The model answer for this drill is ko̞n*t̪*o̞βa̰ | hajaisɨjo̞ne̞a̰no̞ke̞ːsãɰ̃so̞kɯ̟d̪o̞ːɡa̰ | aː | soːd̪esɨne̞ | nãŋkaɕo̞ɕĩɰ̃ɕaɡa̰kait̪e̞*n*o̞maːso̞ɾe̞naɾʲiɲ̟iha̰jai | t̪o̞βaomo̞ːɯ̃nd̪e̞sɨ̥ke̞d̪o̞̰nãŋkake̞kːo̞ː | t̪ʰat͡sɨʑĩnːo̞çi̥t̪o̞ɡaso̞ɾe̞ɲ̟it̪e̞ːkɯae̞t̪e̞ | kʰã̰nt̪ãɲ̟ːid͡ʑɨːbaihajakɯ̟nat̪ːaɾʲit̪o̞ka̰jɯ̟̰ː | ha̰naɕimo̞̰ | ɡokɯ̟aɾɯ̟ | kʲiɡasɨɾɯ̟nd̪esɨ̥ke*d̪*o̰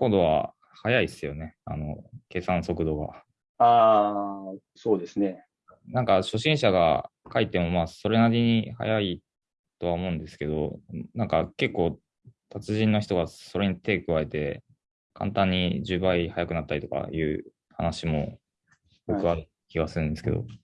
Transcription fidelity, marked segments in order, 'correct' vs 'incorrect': incorrect, incorrect, correct

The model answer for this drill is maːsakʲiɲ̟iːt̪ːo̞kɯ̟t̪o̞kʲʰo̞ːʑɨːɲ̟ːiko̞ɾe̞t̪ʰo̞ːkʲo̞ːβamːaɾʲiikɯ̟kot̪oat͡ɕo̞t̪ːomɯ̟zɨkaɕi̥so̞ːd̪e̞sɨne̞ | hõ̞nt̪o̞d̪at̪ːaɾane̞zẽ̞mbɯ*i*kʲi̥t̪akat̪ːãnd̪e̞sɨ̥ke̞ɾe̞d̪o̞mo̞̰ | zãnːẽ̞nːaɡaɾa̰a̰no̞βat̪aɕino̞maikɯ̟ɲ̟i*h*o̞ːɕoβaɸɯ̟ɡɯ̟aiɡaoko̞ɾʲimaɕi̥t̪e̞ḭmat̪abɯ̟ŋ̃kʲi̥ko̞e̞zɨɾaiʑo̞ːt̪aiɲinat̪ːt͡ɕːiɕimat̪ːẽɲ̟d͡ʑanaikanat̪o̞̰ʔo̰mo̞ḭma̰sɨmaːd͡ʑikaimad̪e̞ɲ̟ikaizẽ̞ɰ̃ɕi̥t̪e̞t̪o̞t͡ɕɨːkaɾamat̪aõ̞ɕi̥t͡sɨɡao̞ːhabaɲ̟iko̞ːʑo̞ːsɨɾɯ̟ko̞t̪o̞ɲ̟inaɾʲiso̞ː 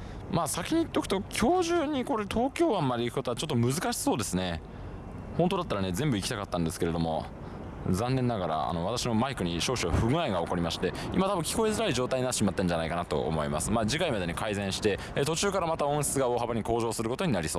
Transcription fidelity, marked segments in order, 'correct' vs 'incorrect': correct, incorrect

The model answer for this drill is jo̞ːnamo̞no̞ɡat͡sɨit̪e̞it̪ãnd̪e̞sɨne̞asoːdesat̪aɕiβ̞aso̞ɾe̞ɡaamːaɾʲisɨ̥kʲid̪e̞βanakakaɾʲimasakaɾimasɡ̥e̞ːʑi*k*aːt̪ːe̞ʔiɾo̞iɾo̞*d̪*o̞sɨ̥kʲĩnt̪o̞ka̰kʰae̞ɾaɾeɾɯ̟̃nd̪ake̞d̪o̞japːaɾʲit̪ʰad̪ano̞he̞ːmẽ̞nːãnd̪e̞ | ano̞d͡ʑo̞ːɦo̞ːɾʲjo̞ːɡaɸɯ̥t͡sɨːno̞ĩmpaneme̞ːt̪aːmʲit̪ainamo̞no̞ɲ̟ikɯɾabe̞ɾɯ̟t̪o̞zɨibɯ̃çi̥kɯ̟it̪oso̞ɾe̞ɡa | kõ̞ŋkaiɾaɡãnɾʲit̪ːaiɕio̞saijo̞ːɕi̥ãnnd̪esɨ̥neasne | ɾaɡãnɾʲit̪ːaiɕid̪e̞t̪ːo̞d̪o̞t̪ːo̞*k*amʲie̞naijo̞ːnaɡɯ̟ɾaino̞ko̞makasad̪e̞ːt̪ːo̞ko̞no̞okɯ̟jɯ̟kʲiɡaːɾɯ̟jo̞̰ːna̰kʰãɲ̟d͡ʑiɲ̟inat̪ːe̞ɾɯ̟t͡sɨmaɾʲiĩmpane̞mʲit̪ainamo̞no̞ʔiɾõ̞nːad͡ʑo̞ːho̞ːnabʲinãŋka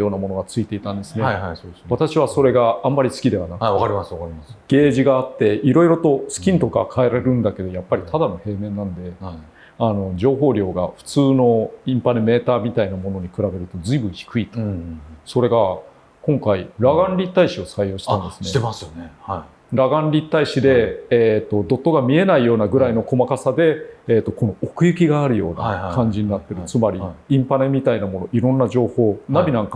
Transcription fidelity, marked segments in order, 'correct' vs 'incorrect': incorrect, incorrect, incorrect

